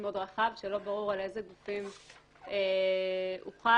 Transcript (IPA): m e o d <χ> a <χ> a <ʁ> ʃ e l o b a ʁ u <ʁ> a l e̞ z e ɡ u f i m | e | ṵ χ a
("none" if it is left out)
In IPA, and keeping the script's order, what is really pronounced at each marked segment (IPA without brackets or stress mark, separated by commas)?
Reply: ʁ, χ, v, ʁ